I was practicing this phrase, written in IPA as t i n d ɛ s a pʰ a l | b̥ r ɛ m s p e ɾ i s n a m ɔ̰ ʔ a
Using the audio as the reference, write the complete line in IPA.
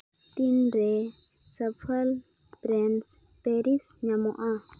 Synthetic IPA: t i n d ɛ s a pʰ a l | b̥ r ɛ n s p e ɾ i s ɲ a m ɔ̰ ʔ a